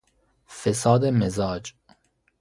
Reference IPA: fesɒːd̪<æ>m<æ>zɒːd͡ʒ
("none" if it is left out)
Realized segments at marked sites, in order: e, e

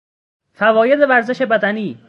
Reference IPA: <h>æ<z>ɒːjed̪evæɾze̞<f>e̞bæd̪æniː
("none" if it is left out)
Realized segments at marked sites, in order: f, v, ʃ

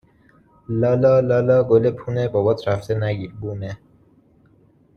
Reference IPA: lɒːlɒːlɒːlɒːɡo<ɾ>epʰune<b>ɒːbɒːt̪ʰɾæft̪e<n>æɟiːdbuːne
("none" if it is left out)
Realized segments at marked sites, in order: l, b, n

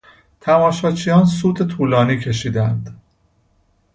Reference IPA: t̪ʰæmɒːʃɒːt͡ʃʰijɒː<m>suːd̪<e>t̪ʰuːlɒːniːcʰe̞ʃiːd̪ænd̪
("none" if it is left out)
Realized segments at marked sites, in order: n, e

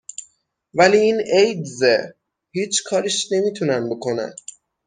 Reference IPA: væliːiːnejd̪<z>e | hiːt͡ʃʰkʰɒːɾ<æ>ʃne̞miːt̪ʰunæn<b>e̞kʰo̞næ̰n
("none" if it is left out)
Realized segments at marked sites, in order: z, i, b

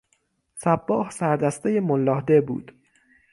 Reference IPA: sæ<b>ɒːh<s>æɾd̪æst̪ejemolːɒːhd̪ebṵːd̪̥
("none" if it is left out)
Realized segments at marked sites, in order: bː, s

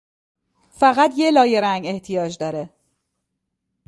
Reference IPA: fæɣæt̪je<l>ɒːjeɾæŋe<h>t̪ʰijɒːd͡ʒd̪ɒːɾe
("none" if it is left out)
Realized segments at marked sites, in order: l, h

